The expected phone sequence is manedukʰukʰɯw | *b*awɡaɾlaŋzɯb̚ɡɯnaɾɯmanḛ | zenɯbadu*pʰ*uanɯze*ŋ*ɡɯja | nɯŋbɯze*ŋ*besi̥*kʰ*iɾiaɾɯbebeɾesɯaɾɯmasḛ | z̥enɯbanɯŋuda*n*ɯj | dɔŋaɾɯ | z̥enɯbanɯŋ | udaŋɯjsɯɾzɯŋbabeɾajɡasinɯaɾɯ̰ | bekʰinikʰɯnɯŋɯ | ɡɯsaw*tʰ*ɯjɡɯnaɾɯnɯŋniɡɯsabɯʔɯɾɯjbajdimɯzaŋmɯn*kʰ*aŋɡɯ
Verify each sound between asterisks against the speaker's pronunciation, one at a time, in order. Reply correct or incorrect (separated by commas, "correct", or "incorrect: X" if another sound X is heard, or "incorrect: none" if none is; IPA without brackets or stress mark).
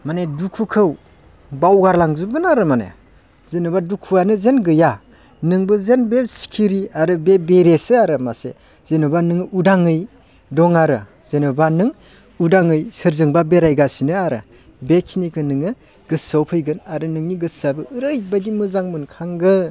correct, incorrect: kʰ, incorrect: n, incorrect: n, correct, incorrect: ŋ, incorrect: pʰ, correct